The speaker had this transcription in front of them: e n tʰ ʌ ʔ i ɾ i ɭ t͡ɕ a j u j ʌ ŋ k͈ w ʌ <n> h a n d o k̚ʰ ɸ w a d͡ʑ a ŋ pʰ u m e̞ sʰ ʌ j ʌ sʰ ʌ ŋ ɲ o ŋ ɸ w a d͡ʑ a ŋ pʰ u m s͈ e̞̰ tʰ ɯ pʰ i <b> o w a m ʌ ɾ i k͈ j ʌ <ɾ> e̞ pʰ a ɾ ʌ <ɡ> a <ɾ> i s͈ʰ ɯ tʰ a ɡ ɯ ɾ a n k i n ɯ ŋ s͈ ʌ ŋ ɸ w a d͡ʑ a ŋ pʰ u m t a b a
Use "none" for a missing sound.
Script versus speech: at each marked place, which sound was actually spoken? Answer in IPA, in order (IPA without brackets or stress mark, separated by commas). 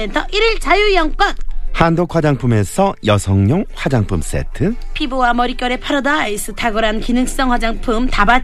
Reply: n, b, ɾ, d, none